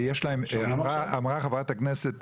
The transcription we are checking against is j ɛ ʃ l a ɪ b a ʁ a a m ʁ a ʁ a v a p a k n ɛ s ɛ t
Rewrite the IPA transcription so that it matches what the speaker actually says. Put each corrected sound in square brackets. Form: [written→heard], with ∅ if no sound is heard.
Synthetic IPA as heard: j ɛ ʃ l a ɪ [b→m] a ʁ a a m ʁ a [ʁ→χ] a v a [p→t] a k n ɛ s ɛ t